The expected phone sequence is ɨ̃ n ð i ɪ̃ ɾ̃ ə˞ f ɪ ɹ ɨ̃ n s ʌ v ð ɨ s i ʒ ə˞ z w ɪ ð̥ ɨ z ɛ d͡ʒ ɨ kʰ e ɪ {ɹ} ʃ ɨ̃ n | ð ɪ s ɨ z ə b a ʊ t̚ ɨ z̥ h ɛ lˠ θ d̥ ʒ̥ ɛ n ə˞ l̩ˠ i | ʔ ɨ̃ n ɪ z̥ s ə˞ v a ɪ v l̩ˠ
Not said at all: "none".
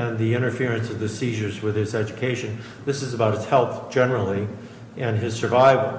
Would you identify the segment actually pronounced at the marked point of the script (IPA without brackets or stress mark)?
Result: none